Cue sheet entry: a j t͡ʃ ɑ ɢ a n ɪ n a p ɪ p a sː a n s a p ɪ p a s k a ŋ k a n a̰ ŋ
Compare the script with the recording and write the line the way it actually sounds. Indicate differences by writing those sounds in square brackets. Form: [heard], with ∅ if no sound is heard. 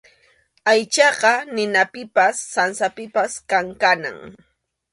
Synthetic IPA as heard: a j t͡ʃ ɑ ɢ [ɑ] n ɪ n a p ɪ p a sː a n s a p ɪ p a s k a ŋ k a n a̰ ŋ